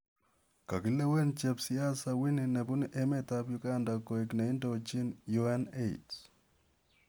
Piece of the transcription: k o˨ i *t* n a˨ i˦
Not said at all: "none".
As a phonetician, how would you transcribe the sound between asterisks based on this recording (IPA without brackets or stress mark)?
k